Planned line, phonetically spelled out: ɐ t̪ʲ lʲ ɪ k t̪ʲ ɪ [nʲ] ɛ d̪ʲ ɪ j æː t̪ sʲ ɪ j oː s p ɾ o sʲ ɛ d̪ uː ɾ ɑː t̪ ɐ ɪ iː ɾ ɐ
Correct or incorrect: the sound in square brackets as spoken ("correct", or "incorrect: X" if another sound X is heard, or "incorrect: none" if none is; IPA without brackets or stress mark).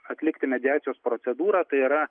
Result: incorrect: mʲ